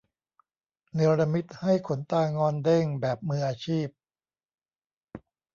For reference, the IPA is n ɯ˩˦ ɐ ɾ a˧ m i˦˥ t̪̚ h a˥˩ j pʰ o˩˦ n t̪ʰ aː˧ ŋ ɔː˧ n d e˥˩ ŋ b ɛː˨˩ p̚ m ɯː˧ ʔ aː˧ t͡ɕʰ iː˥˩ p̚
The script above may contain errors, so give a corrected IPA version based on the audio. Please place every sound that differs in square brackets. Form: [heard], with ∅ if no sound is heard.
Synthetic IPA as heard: n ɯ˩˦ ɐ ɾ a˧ m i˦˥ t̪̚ h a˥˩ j [kʰ] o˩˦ n [t̪] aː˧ ŋ ɔː˧ n d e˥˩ ŋ b ɛː˨˩ p̚ m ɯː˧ ʔ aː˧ t͡ɕʰ iː˥˩ p̚